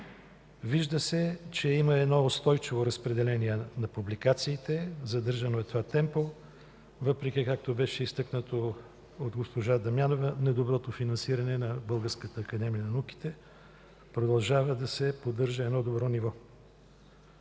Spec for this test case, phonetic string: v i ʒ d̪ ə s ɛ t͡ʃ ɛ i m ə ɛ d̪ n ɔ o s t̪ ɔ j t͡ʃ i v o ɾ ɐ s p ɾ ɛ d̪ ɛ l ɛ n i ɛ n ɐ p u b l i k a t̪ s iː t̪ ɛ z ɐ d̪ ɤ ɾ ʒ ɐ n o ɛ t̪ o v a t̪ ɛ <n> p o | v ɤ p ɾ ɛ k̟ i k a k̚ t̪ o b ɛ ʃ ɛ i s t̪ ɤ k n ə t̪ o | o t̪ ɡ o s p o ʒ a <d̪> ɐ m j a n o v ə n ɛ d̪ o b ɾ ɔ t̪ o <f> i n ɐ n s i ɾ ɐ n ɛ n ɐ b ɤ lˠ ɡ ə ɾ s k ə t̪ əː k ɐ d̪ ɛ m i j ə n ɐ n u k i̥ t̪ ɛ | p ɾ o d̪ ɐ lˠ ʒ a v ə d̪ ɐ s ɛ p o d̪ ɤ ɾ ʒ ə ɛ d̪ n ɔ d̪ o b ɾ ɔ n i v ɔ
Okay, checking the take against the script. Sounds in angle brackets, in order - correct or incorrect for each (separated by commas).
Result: incorrect, correct, correct